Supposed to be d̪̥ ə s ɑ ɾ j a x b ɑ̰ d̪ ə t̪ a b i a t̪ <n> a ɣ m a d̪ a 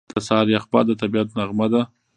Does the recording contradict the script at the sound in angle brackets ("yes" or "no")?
no